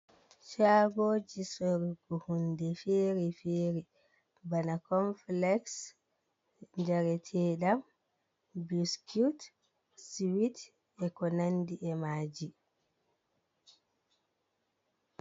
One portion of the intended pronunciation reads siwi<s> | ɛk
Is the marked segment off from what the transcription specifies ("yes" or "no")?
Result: yes